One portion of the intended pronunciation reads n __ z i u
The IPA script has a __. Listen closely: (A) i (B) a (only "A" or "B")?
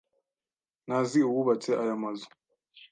B